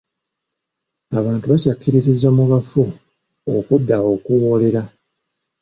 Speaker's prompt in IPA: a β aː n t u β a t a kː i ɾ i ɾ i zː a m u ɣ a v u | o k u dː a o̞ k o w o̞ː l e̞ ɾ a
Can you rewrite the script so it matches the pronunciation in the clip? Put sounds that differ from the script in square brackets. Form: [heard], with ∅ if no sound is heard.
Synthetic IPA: a β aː n t u β a [c] a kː i ɾ i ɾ i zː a m u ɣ a [f] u | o k u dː a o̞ k [u] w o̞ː l e̞ ɾ a

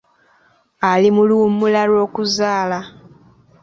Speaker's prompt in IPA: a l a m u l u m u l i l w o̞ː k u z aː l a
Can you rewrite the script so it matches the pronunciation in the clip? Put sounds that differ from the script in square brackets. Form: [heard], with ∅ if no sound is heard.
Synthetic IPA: a l [i] m u l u m u l [a] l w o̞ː k u z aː l a

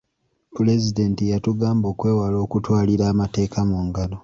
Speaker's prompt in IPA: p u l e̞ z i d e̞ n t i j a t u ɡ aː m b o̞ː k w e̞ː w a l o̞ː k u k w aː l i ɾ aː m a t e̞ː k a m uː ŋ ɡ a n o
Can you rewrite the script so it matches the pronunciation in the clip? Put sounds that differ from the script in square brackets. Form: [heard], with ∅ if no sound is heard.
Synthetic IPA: p u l e̞ z i d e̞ n t i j a t u ɡ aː m b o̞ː k w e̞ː w a l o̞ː k u [t] w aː l i ɾ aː m a t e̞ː k a m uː ŋ ɡ a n o

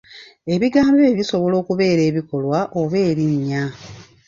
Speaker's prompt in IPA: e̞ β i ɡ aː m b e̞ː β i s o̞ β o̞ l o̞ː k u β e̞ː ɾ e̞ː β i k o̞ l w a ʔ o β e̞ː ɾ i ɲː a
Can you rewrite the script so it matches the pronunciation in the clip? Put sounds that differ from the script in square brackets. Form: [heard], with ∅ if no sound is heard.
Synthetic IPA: e̞ β i ɡ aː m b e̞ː β i s o̞ β o̞ l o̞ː k u β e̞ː ɾ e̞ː β i k o̞ l w a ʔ o β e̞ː ɾ i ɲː a

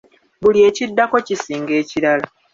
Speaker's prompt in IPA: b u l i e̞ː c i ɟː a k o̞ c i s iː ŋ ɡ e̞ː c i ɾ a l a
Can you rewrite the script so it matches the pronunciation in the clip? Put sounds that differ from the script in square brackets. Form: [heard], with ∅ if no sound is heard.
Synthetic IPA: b u l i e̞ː c i [dː] a k o̞ c i s iː ŋ ɡ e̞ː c i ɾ a l a

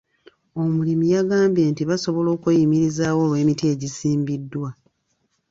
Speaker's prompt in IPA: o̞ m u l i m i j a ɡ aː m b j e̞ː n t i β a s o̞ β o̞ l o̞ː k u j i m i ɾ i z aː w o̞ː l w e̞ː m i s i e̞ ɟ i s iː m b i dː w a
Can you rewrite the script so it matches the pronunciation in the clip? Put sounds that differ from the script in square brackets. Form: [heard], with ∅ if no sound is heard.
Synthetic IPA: o̞ m u l i m i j a ɡ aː m b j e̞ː n t i β a s o̞ β o̞ l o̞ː k u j i m i ɾ i z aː w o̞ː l w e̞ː m i [t] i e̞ ɟ i s iː m b i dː w a

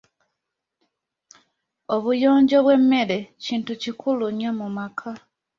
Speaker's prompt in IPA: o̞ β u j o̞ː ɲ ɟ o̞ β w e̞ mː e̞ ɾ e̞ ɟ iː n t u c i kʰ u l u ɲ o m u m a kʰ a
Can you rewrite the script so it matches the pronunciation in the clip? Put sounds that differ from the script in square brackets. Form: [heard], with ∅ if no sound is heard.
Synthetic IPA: o̞ β u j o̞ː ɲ ɟ o̞ β w e̞ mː e̞ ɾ e̞ [c] iː n t u c i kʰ u l u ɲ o m u m a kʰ a

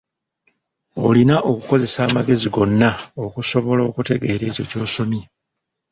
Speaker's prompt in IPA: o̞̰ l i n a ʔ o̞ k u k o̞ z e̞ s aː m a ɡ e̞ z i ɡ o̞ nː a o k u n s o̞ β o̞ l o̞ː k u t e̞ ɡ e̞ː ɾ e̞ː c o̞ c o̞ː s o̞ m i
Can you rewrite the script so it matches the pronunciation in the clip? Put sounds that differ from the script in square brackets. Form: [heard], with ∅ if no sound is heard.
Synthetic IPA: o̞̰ l i n a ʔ o̞ k u k o̞ z e̞ s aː m a ɡ e̞ z i ɡ o̞ nː a o k u [∅] s o̞ β o̞ l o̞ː k u t e̞ ɡ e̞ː ɾ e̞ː c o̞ c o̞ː s o̞ m i

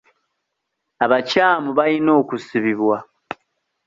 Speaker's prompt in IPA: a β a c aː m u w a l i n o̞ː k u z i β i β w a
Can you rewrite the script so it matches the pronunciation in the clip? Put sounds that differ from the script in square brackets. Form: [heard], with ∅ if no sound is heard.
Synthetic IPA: a β a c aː m u [β] a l i n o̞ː k u [s] i β i β w a

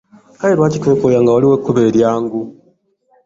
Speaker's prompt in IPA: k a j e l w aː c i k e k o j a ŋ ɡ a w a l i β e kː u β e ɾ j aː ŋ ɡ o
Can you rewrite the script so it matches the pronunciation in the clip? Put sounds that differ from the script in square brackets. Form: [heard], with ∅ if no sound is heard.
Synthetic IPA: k a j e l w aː c i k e k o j a ŋ ɡ a w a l i [w] e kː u β e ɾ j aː ŋ ɡ [u]

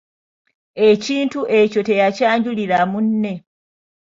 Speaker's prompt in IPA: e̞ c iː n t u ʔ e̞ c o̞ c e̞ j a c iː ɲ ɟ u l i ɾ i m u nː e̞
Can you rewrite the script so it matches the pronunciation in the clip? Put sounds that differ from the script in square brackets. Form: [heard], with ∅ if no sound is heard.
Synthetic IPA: e̞ c iː n t u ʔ e̞ c o̞ [t] e̞ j a c [aː] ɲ ɟ u l i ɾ [a] m u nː e̞

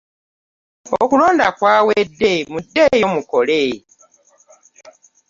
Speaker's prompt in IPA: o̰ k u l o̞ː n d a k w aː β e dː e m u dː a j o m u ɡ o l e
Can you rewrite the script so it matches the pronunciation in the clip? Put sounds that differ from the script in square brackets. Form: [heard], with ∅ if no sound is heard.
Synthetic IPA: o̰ k u l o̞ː n d a k w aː [w] e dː e m u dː [e] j o m u [k] o l e

